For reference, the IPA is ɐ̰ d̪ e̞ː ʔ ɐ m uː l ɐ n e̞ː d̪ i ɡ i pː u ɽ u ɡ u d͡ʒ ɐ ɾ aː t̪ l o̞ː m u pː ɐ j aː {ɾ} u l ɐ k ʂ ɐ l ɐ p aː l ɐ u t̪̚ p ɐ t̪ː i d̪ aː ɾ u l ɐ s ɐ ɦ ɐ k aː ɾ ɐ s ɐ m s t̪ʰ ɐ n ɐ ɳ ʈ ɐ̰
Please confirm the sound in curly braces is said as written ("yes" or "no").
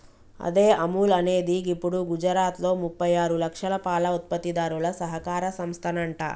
yes